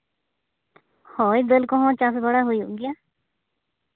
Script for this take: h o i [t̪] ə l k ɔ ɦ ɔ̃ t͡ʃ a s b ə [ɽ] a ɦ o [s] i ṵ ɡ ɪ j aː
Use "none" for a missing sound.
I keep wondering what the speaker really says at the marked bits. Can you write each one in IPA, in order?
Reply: d̪, ɽ, none

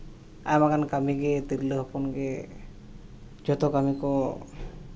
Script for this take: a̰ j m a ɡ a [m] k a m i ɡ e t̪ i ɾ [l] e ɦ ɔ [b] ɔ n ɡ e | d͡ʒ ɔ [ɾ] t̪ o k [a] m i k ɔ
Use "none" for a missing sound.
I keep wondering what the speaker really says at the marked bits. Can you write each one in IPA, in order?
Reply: n, l, p, none, a

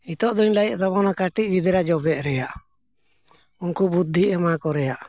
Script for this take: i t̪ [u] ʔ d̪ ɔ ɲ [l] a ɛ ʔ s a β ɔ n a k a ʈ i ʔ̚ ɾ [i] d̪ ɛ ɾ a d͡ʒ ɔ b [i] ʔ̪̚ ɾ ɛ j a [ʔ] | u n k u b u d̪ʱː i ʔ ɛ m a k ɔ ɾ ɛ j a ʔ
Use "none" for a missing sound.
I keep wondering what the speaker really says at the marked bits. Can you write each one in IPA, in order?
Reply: ɔ, l, i, ɛ, ʔ

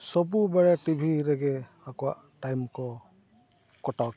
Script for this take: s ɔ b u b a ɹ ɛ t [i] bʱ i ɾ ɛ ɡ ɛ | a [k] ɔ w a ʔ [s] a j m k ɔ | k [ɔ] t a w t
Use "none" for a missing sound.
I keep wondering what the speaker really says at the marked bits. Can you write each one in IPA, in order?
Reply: i, k, t, ɔ

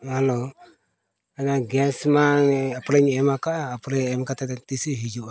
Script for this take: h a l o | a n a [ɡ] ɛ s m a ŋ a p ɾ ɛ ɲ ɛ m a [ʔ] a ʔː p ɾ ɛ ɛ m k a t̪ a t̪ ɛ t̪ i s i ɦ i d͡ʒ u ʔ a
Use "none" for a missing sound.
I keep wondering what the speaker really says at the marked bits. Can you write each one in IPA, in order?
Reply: ɡ, k

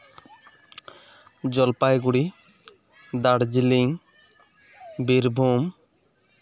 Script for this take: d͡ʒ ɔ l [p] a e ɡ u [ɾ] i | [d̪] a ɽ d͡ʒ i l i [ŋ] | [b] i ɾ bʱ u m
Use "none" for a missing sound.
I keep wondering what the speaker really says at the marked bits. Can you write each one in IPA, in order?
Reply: p, ɽ, d̪, ŋ, b

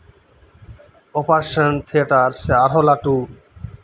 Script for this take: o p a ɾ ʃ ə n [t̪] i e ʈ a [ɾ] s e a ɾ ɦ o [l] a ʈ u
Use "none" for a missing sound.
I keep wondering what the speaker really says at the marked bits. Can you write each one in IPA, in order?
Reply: t̪ʰ, ɾ, l

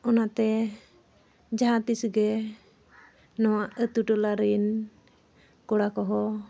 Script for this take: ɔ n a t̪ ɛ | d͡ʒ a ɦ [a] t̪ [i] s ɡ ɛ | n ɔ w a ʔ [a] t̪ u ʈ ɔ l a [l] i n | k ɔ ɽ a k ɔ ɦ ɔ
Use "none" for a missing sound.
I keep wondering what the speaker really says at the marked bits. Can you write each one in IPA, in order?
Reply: a, i, ə, ɾ

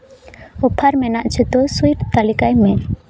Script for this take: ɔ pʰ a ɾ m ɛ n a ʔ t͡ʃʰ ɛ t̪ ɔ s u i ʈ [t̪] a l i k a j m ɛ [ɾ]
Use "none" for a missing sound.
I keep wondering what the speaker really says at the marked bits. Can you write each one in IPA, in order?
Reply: t̪, none

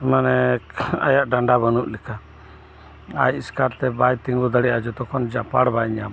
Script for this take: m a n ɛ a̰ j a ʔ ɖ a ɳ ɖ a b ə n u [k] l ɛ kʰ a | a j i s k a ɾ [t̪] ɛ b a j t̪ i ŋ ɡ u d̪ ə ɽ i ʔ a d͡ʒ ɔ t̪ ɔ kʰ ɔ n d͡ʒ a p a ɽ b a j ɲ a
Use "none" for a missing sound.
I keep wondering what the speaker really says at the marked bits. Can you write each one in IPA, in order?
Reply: ʔ, t̪

